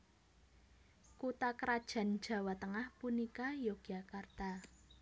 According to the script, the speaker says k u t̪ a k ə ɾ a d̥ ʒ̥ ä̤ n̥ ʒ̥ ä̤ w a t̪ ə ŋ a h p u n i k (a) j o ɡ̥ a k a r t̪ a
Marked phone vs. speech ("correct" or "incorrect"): correct